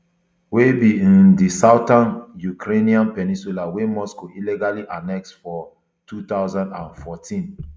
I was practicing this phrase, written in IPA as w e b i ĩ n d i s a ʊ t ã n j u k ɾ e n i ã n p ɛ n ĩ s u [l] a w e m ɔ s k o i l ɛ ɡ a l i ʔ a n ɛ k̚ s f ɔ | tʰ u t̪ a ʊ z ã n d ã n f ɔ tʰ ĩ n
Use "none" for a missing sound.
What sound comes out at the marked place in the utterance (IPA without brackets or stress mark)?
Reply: l